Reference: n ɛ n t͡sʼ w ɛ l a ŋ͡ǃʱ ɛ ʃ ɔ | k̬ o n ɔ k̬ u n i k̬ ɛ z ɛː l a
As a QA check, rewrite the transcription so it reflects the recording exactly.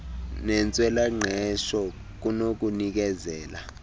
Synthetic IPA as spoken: n ɛ n t͡sʼ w ɛ l a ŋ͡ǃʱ ɛ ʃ ɔ | k̬ u n o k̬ u n i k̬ ɛ z ɛː l a